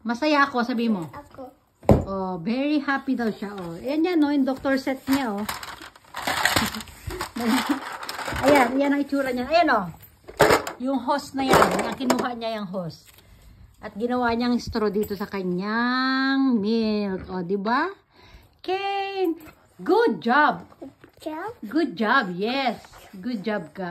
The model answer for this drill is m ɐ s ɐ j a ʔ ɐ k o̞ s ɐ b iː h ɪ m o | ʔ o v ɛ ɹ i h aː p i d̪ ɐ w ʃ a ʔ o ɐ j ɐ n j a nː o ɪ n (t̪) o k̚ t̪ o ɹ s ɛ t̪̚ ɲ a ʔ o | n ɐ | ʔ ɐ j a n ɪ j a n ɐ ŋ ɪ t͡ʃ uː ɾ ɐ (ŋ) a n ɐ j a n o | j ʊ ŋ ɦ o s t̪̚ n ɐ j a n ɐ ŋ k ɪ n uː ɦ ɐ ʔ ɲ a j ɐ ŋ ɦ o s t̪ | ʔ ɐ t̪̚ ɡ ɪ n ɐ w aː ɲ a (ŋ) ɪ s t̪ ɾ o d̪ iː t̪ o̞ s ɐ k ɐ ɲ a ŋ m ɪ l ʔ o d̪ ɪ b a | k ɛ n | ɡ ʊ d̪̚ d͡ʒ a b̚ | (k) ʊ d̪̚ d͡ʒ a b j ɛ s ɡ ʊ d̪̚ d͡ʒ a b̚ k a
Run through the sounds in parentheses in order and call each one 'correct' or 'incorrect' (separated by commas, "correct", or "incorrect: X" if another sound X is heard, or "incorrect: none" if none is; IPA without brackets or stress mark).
incorrect: d̪, incorrect: ɲ, correct, incorrect: ɡ